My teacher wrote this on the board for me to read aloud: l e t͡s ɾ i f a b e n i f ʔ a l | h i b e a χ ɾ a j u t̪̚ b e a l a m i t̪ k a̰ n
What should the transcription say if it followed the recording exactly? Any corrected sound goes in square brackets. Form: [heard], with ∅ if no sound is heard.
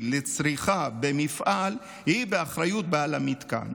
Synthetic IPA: l e t͡s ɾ i [χ] a b e [m] i f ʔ a l | h i b e a χ ɾ a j u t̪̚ b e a l a m i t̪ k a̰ n